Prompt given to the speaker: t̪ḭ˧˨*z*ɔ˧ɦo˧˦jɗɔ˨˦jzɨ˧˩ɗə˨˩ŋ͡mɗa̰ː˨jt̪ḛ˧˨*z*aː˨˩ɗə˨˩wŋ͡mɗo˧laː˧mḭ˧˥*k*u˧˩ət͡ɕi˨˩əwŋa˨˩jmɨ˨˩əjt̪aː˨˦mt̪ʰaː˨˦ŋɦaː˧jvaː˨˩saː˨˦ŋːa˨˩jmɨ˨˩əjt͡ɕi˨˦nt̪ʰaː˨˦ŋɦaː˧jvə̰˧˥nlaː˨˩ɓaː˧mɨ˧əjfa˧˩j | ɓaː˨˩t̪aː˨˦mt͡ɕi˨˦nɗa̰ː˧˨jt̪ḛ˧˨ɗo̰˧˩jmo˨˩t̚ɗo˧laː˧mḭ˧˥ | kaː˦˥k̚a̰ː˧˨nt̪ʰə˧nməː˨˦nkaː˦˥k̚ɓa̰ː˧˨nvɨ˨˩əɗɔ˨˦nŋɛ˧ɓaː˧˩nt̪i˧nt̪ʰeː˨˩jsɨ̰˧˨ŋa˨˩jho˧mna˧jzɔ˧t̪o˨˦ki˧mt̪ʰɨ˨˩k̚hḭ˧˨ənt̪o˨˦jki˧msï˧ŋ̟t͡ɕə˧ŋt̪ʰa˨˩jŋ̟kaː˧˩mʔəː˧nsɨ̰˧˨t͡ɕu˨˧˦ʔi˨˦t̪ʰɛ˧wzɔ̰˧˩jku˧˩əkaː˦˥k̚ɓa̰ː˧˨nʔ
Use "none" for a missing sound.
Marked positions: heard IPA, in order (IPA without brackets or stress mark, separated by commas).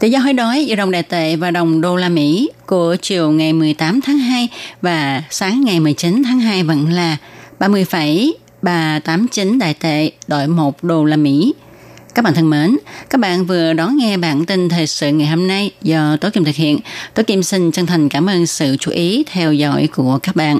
z, v, k